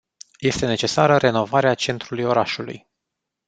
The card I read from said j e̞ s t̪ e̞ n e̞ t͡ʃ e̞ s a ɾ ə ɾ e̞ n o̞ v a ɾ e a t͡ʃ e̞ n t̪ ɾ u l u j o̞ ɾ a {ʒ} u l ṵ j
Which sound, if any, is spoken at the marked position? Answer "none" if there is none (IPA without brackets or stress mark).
ʃ